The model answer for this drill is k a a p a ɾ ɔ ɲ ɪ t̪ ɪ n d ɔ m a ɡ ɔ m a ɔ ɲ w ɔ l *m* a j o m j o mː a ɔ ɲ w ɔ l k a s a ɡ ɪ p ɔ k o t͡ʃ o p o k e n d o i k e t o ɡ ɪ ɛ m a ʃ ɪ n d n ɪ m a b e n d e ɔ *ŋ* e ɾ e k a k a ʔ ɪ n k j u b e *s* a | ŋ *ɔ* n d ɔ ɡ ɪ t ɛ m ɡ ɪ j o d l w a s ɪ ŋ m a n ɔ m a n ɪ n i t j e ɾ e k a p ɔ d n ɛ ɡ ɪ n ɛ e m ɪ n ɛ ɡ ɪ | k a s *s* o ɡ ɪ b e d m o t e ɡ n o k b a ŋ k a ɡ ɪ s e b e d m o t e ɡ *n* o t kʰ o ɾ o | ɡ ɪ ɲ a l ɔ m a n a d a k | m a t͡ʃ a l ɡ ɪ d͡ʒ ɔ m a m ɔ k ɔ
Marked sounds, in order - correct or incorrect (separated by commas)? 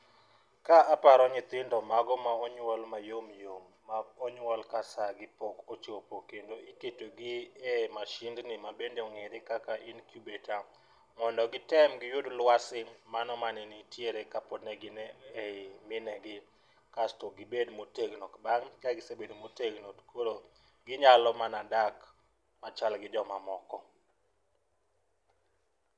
correct, correct, incorrect, correct, incorrect, correct